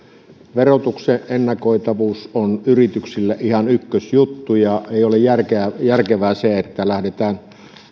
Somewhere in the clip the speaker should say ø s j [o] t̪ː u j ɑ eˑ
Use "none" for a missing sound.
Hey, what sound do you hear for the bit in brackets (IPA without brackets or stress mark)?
u